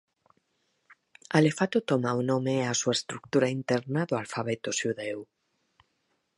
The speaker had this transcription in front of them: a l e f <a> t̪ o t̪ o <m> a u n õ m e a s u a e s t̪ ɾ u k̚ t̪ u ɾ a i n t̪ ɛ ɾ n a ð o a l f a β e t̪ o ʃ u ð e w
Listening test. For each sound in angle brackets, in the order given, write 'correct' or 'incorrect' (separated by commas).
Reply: correct, correct